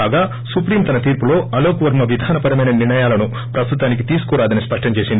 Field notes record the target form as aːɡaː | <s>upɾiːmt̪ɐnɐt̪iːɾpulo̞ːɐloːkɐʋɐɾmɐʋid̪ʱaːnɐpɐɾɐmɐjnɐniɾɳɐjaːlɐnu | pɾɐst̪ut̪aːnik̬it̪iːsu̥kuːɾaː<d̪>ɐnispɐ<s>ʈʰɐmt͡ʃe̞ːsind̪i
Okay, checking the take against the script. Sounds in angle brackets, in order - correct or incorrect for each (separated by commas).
correct, correct, incorrect